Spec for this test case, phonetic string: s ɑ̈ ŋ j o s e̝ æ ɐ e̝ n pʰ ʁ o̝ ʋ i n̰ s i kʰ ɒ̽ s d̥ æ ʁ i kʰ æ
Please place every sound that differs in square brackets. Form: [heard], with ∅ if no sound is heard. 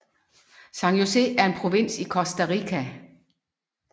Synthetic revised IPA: s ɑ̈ ŋ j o s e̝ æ ɐ e̝ n pʰ ʁ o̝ ʋ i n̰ s i kʰ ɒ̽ s d̥ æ ʁ i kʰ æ